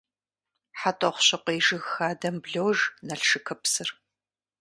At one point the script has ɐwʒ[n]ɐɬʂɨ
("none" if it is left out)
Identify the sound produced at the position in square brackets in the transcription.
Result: n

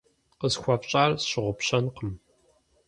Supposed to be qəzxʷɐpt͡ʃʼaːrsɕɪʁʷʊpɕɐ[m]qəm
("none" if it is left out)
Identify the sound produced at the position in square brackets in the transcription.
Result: n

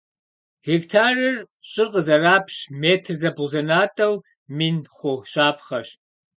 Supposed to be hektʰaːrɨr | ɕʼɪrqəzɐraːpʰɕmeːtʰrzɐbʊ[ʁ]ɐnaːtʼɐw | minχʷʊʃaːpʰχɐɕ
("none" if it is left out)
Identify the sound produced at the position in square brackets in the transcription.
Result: z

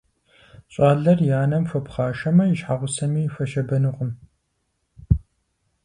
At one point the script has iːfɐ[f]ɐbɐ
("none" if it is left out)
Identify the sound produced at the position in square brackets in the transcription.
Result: ʃ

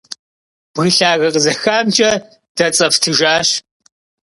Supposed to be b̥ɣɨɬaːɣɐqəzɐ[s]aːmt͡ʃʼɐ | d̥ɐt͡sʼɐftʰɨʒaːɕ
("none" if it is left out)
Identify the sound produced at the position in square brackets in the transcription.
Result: x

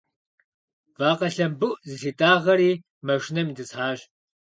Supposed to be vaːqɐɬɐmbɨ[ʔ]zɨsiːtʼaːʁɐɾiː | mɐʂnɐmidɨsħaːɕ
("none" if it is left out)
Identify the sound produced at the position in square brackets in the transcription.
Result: ʔ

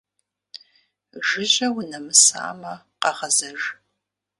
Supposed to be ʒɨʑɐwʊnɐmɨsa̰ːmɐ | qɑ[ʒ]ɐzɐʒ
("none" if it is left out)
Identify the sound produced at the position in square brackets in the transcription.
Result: ʁ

